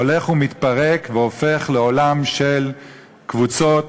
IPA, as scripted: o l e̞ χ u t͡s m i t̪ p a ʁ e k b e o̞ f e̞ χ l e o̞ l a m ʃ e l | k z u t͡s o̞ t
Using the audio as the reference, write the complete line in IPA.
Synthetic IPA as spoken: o l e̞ χ u m i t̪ p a ʁ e k v e o̞ f e̞ χ l e o̞ l a m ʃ e l | k v u t͡s o̞ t